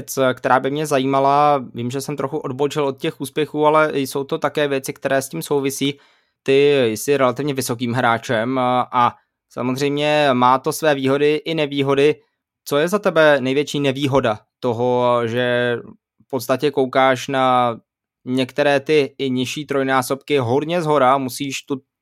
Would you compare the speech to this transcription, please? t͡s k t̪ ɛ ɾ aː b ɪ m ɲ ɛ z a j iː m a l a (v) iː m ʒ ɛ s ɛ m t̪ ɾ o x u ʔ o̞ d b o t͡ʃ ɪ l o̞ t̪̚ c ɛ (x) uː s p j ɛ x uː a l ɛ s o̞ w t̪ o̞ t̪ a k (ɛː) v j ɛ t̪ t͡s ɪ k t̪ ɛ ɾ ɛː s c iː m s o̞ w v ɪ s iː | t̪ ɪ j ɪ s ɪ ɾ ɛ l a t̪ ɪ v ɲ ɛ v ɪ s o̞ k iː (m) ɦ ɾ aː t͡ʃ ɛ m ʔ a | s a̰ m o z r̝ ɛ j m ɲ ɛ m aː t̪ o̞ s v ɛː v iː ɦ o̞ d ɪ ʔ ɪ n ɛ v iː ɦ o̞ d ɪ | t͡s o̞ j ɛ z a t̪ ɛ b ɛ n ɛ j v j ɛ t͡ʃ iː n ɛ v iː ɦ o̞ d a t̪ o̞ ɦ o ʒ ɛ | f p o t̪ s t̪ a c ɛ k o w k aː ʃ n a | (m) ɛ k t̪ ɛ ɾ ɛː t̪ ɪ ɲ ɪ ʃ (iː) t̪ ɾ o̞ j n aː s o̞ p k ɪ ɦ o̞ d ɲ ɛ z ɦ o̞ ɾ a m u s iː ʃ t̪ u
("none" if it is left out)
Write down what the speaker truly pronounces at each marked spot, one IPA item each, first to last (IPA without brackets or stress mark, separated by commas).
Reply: v, x, ɛː, m, ɲ, iː